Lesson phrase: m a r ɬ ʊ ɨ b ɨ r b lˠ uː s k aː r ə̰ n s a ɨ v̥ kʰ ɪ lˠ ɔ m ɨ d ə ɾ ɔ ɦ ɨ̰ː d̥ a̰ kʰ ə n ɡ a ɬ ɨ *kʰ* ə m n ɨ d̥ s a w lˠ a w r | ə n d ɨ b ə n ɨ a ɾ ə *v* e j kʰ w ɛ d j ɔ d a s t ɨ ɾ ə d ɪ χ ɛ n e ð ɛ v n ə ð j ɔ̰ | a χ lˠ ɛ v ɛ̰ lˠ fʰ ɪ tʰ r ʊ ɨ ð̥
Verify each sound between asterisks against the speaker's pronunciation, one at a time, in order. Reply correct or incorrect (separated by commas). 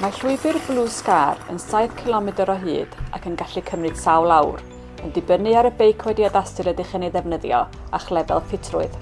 correct, incorrect